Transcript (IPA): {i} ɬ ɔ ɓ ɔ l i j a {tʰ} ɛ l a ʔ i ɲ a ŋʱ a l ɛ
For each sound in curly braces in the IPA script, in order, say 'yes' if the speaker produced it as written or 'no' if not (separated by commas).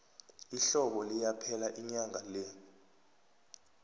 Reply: yes, no